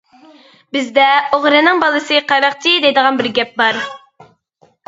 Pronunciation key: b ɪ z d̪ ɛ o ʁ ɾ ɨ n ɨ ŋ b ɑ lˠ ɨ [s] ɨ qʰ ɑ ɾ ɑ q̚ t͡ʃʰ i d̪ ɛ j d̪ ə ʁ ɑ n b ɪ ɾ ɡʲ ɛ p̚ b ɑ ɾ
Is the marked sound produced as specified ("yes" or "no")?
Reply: yes